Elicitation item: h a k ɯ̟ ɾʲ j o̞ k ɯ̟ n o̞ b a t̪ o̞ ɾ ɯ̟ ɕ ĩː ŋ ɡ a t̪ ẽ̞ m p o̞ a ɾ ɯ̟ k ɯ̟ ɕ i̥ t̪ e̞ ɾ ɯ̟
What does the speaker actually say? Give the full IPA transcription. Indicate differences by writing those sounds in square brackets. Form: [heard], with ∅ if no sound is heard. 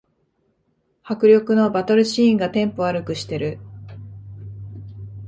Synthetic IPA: h a k ɯ̟ ɾʲ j o̞ k ɯ̟ n o̞ b a t̪ o̞ ɾ ɯ̟ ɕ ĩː ŋ ɡ a t̪ ẽ̞ m p o̞ a ɾ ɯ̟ k ɯ̟ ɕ i̥ t̪ e̞ ɾ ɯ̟

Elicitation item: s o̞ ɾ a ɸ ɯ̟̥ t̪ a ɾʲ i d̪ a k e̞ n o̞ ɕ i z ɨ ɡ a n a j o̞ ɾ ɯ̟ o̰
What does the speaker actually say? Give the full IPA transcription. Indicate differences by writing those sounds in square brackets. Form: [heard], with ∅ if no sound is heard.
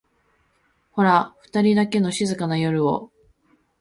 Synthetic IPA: [h] o̞ ɾ a ɸ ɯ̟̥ t̪ a ɾʲ i d̪ a k e̞ n o̞ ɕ i z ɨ [k] a n a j o̞ ɾ ɯ̟ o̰

